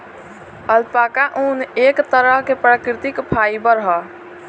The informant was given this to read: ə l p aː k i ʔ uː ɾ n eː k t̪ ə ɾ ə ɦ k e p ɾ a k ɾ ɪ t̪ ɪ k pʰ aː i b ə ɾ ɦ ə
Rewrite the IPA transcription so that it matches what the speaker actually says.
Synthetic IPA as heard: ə l p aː k a ʔ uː n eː k t̪ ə ɾ ə ɦ k e p ɾ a k ɾ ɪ t̪ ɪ k pʰ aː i b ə ɾ ɦ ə